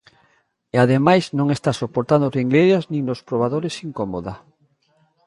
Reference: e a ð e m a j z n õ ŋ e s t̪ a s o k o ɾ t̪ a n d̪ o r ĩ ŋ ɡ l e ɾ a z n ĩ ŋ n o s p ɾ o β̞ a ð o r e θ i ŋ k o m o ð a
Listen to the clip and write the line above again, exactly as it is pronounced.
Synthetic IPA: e a ð e m a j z n õ ŋ e s t̪ a s o p o ɾ t̪ a n d̪ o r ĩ ŋ ɡ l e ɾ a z n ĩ ŋ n o s p ɾ o β̞ a ð o ɾ e s i ŋ k o m o ð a